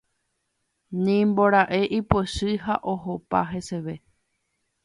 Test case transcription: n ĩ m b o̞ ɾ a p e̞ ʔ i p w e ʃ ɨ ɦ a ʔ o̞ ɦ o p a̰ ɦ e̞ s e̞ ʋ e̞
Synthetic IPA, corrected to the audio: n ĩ m b o̞ ɾ a ʔ e̞ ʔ i p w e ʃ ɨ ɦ a ʔ o̞ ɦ o p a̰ ɦ e̞ s e̞ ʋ e̞